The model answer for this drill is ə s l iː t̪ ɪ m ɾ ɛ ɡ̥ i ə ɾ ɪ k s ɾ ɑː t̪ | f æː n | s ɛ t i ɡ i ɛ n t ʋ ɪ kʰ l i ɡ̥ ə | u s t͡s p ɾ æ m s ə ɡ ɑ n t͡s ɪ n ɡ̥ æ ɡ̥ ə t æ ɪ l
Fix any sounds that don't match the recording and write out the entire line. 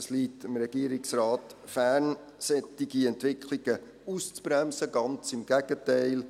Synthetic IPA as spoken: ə s l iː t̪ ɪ m ɾ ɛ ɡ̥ i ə ɾ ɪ k s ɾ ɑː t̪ | f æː n | s ɛ t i ɡ i ɛ n t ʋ ɪ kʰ l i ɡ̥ ə | u s t͡s p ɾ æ m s ə ɡ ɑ n t͡s ɪ m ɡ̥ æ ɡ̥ ə t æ ɪ l